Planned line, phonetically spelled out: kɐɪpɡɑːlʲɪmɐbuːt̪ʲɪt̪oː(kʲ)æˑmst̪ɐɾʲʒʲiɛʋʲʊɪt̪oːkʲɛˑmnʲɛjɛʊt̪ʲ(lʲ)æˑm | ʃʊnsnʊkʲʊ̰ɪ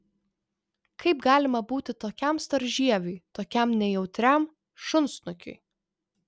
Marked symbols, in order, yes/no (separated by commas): yes, no